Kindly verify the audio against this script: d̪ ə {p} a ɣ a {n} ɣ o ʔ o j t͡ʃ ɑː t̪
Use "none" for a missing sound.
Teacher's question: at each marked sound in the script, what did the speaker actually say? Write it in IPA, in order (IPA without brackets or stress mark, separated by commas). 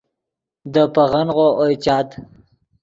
p, n